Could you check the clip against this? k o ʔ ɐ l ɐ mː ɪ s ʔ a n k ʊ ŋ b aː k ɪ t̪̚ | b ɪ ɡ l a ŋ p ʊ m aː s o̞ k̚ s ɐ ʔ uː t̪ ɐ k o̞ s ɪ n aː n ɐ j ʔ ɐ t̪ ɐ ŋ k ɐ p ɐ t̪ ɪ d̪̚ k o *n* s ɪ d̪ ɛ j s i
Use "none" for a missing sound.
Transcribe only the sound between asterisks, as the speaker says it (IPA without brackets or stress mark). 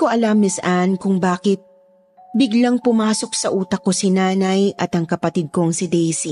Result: ŋ